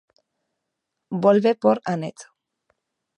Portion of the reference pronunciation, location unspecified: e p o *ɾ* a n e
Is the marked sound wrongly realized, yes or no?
no